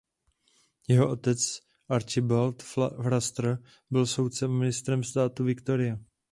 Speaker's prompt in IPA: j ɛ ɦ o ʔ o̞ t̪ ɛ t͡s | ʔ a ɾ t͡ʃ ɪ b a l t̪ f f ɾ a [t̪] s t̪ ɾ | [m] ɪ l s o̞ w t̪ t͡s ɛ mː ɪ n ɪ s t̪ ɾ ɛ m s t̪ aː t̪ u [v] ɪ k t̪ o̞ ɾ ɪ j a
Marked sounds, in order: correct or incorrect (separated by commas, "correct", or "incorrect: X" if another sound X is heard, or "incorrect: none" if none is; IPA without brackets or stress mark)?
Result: incorrect: none, incorrect: b, correct